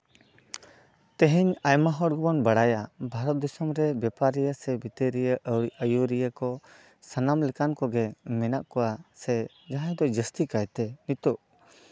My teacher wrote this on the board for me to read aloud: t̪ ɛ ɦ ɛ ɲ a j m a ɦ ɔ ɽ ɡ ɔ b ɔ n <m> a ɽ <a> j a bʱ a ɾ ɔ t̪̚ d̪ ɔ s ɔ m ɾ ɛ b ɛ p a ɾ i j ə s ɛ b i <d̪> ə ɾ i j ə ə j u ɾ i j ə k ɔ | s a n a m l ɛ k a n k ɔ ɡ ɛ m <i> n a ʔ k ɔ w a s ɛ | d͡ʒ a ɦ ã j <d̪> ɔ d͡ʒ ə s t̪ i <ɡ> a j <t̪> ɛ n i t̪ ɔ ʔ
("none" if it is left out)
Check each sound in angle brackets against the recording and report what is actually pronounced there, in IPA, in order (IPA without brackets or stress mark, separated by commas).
b, a, t̪, ɛ, d̪, k, t̪